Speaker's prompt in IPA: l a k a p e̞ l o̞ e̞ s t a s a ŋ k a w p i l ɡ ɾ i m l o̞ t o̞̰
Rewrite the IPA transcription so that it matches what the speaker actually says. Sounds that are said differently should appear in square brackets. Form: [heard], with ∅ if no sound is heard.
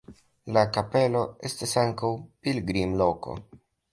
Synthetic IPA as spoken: l a k a p e̞ l o̞ e̞ s t a s a ŋ k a w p i l ɡ ɾ i m l o̞ [k] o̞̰